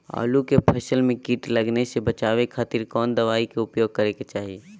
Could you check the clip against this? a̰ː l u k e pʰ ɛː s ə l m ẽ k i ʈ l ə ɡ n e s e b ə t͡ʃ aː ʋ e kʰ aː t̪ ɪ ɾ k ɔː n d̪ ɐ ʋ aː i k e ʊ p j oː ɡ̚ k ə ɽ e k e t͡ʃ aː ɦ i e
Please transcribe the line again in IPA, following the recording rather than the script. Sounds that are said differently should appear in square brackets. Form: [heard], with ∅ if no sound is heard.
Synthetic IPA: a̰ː l u k e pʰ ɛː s ə l m ẽ k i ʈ l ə ɡ n e s e b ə t͡ʃ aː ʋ e kʰ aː t̪ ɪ ɾ k ɔː n d̪ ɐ ʋ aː i k e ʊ p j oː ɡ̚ k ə [ɾ] e k e t͡ʃ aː ɦ i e